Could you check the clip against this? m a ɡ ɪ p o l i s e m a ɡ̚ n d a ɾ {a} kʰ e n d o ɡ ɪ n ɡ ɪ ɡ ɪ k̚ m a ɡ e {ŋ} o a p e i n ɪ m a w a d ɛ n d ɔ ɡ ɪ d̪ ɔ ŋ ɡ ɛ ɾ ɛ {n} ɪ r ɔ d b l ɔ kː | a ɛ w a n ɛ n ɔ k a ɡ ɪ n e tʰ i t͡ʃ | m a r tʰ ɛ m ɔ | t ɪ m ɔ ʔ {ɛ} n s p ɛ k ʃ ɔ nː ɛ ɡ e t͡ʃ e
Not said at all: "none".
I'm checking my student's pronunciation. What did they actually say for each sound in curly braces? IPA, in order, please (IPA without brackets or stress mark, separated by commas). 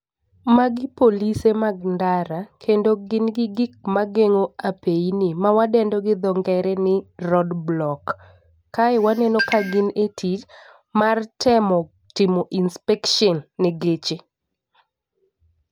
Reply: a, ŋ, n, i